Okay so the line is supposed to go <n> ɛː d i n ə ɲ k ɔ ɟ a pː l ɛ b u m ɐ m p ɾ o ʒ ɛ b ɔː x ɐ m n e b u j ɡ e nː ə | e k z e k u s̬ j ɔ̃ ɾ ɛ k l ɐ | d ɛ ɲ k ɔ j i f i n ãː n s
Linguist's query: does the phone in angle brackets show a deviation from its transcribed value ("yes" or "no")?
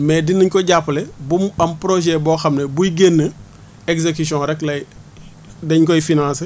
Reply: yes